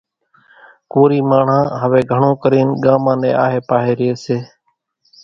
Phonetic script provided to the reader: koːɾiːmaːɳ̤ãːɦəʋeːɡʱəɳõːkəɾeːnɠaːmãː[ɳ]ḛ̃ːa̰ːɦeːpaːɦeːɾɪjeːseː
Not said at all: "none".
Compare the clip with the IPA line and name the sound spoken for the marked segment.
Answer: n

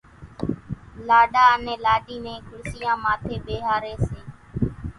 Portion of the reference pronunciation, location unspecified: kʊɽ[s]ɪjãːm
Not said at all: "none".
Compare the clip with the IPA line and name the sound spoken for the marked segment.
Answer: s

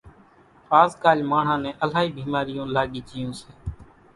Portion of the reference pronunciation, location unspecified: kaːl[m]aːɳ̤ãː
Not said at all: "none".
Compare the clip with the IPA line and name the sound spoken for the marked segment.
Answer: m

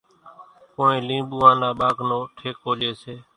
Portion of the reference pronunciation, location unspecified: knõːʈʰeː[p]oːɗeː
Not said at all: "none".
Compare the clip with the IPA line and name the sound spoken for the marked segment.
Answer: k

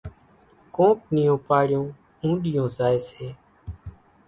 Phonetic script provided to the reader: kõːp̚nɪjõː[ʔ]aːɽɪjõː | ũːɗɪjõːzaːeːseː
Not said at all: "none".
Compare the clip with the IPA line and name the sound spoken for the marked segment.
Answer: p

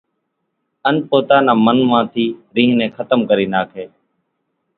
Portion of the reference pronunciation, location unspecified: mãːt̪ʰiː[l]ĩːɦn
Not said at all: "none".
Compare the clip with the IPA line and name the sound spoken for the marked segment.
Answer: ɾ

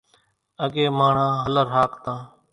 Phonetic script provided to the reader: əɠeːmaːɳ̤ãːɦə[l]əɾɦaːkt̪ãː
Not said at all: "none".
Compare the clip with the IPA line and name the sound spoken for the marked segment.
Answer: l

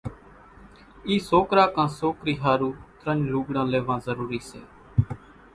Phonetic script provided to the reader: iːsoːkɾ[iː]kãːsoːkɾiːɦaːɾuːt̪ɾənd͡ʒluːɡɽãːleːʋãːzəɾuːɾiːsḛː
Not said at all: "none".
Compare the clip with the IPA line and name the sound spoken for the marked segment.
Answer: aː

